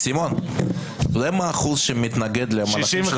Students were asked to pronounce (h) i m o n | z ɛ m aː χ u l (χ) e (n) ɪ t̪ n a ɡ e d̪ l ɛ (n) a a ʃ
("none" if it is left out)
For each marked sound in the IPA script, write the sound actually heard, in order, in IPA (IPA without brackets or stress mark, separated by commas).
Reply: s, ʃ, m, m